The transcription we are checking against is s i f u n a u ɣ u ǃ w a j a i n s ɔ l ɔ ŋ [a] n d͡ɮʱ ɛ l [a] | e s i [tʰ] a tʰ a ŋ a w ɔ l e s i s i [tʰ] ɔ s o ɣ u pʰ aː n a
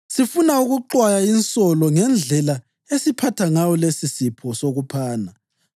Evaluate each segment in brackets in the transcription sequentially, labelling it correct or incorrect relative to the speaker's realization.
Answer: incorrect: ɛ, correct, incorrect: pʰ, incorrect: pʰ

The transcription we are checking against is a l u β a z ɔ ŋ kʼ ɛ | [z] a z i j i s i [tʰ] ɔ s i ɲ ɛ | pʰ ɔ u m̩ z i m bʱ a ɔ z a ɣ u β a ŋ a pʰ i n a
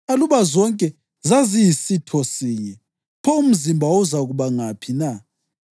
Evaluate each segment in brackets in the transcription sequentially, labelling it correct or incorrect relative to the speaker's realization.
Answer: correct, correct

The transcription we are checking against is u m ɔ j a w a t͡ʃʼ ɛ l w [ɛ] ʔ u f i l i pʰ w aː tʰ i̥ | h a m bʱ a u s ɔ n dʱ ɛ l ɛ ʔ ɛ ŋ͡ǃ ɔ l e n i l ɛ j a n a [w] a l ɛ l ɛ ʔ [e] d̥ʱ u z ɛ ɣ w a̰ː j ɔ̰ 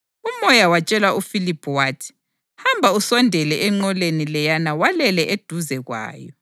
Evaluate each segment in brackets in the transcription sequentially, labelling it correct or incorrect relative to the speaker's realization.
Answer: incorrect: a, correct, correct

